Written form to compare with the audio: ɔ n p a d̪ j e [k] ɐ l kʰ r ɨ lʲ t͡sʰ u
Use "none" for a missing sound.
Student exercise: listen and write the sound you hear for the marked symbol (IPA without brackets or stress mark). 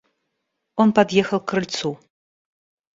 x